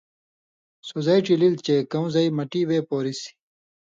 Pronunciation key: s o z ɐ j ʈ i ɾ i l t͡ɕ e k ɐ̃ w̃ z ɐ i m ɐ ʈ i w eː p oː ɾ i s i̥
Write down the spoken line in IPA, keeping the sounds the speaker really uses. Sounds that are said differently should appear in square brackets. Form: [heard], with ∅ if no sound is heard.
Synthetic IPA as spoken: s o z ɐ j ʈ i [l] i l t͡ɕ e k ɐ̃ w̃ z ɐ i m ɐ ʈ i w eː p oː ɾ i s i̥